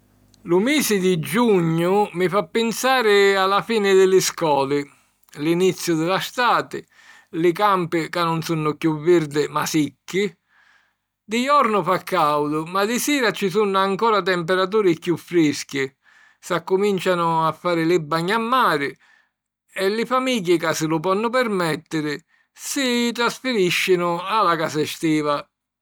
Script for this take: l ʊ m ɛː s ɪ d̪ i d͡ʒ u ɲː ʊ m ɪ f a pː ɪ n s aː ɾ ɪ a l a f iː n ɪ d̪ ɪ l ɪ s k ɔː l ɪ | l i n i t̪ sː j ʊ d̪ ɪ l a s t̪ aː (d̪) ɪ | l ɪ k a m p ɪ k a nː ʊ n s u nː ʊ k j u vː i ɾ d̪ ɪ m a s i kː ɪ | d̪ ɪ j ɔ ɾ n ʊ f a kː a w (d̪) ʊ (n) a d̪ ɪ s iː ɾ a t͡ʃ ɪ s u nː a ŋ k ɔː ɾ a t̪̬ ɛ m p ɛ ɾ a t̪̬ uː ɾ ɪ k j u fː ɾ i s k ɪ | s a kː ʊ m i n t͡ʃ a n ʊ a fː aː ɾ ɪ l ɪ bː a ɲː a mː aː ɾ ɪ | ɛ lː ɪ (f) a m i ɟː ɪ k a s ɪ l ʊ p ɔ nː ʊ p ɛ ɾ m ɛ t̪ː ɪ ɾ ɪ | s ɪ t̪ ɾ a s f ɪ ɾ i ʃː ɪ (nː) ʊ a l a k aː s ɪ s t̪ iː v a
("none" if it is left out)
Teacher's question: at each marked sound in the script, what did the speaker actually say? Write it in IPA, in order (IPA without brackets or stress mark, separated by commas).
t̪, d̪, m, f, n